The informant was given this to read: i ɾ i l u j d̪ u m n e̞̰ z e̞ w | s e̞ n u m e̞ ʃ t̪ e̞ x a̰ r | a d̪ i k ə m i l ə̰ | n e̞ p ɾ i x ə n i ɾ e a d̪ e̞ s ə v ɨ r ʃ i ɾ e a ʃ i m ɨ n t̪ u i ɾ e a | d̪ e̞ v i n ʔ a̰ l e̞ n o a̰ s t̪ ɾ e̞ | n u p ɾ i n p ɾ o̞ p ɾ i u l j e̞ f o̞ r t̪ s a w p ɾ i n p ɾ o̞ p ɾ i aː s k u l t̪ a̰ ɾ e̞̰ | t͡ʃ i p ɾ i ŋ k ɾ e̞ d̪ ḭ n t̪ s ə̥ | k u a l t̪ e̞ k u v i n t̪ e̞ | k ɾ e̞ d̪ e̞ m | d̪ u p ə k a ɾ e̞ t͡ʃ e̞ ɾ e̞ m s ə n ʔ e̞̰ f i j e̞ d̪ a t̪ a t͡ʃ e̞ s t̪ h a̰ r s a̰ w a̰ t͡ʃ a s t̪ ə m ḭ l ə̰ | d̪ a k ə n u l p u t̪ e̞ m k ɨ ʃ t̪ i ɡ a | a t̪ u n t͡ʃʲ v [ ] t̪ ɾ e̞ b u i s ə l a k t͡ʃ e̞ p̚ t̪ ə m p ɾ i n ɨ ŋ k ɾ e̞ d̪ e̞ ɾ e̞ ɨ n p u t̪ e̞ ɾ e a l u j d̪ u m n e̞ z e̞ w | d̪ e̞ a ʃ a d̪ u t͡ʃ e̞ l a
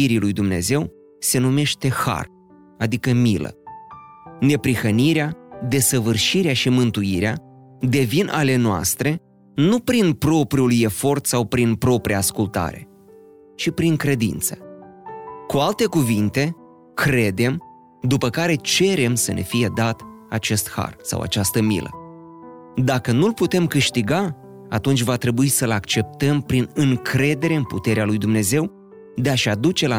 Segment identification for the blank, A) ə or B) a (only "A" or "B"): B